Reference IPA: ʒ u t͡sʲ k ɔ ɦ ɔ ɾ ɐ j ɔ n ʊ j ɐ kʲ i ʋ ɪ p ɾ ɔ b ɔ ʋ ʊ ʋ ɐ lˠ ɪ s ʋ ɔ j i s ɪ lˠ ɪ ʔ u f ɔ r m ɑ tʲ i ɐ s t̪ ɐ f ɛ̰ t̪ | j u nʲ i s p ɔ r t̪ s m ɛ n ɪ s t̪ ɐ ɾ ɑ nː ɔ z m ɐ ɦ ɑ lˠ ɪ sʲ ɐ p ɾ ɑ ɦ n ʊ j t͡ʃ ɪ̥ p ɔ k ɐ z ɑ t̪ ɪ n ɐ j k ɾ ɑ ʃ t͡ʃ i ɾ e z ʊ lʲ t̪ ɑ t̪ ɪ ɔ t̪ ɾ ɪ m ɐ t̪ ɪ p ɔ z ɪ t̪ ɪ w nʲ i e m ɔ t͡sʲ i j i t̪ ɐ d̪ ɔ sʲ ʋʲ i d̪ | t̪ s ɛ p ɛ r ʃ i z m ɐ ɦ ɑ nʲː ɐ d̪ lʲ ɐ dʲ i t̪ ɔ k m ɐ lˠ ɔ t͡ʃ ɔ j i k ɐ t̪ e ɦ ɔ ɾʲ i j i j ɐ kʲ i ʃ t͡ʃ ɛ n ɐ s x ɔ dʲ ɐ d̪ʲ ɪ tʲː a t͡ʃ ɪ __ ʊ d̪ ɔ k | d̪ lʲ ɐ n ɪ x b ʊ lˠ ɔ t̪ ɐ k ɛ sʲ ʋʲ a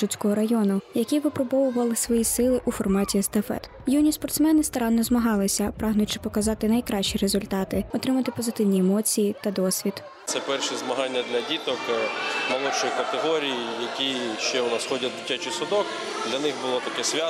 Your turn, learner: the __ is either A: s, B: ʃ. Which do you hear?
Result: A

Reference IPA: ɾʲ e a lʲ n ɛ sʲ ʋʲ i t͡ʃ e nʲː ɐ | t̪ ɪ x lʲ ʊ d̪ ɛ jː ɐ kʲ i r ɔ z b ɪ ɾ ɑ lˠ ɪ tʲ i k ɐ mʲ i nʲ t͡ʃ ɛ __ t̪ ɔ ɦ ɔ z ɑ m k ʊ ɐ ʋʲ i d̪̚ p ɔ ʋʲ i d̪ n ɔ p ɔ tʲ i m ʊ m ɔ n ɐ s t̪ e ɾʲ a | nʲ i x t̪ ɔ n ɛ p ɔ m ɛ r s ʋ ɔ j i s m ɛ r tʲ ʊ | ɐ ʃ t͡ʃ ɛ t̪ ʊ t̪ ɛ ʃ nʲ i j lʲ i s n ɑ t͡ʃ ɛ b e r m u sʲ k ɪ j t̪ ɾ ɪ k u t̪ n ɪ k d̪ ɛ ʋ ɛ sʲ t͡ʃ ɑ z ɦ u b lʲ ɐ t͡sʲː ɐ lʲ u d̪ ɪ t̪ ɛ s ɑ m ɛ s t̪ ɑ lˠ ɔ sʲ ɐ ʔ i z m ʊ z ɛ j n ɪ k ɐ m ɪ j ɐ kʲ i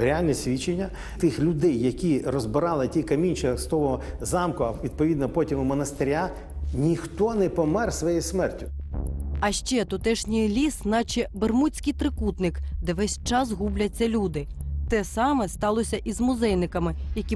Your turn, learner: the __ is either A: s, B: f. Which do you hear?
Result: A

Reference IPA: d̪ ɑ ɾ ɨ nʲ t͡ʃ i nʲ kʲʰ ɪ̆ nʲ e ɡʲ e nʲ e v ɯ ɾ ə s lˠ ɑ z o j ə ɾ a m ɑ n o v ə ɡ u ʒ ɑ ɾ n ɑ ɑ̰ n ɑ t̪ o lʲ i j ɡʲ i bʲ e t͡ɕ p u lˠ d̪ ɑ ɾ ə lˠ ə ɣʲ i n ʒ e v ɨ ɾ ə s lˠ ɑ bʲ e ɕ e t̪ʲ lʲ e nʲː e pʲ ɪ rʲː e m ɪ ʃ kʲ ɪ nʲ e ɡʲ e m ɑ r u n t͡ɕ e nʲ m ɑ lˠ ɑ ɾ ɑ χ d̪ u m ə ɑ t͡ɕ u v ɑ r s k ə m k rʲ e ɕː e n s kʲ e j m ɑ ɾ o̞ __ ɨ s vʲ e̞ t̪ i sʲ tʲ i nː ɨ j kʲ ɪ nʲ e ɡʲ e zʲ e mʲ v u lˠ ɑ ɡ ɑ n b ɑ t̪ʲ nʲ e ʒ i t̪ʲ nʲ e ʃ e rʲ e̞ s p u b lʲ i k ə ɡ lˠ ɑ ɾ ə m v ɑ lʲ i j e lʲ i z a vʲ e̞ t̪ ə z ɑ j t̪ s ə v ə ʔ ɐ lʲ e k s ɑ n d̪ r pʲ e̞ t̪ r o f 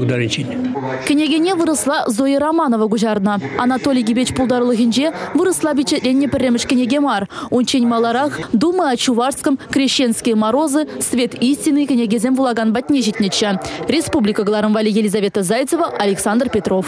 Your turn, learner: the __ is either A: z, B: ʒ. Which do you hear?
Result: A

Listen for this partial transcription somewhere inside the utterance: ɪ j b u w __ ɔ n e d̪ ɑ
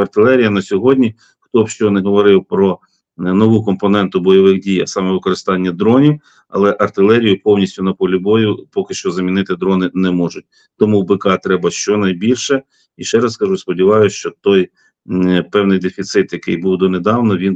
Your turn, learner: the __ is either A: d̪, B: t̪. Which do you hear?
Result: A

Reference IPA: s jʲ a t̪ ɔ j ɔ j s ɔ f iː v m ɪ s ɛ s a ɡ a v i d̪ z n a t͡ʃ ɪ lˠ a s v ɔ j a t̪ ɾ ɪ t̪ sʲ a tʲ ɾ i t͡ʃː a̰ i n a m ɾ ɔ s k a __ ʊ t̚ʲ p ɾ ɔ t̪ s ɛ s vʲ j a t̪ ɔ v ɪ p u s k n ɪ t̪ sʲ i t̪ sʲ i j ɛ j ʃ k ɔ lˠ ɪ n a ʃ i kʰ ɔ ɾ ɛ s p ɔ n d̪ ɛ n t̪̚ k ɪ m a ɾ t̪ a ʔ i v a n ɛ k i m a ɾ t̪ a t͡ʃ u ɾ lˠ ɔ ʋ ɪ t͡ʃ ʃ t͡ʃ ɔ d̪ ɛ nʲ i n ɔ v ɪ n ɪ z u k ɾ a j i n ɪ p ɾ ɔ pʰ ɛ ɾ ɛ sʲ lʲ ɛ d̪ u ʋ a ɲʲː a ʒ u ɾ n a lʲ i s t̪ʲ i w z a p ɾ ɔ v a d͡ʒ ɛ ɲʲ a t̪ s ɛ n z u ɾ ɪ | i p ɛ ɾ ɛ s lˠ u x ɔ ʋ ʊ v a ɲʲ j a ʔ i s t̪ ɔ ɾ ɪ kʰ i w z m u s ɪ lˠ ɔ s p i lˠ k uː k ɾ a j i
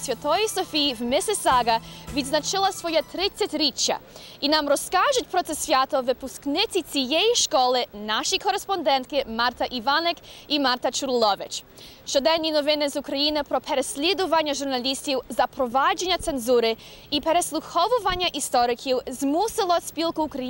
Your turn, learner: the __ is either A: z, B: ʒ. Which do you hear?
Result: B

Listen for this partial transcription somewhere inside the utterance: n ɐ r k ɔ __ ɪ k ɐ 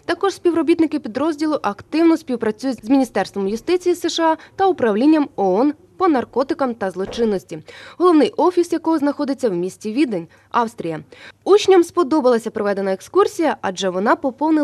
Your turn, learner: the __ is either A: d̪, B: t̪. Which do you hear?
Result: B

